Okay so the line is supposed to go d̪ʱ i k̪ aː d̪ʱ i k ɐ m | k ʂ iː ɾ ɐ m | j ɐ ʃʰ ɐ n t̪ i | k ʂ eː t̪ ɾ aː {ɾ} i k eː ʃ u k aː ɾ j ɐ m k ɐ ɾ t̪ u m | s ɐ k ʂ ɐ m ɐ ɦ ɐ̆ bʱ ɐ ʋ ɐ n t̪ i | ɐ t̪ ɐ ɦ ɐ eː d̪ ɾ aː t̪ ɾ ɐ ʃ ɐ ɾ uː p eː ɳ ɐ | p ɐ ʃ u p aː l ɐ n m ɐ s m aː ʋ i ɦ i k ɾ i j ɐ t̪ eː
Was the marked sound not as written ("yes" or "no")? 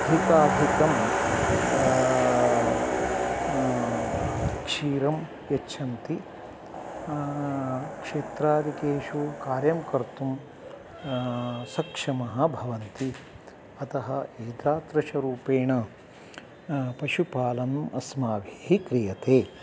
no